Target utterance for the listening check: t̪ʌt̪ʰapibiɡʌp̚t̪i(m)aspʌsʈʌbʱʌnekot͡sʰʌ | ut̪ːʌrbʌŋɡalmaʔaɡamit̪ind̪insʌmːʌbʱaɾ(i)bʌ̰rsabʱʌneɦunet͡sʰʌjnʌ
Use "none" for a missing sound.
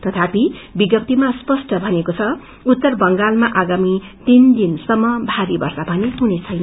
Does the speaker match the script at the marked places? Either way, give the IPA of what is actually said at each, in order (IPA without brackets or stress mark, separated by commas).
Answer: m, i